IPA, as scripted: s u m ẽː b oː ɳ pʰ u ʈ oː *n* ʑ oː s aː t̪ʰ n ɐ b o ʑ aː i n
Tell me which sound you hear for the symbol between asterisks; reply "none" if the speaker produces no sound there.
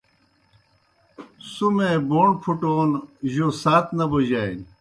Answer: n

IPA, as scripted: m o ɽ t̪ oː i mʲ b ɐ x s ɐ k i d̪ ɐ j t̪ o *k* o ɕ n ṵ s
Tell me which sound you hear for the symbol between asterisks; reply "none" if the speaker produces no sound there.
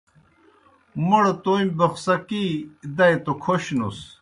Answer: kʰ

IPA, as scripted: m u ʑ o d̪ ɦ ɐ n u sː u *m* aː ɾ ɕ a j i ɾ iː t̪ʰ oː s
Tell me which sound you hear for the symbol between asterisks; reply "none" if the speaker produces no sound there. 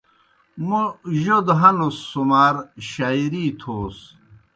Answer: m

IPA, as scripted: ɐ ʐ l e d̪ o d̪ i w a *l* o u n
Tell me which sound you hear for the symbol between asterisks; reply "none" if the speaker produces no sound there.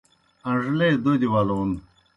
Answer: l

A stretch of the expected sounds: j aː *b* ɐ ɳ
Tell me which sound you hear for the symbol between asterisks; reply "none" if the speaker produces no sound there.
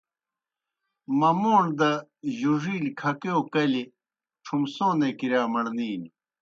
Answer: m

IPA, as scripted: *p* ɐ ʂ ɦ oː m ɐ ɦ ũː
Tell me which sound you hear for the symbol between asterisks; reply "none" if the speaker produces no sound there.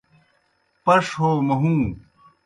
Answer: p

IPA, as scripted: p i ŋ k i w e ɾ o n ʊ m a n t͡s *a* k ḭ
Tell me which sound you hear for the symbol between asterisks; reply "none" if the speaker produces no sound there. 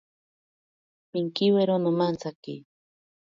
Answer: a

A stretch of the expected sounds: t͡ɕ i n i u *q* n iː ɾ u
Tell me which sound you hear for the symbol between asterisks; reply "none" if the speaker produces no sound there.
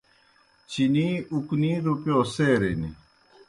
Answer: k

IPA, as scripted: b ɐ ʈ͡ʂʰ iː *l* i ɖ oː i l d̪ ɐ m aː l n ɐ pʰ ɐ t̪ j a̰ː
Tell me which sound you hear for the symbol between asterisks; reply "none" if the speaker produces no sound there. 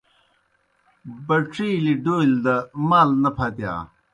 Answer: l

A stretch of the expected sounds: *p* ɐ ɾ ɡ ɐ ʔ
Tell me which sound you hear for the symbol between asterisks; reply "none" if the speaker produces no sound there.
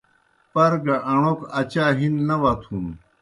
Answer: p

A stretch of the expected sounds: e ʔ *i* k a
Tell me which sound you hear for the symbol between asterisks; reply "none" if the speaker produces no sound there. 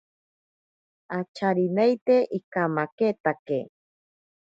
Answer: i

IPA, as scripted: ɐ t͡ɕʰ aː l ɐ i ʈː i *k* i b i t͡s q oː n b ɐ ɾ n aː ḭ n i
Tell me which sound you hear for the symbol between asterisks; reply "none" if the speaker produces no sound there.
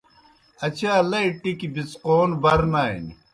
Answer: k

